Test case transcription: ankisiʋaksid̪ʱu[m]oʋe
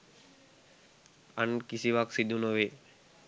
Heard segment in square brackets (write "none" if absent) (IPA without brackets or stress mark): n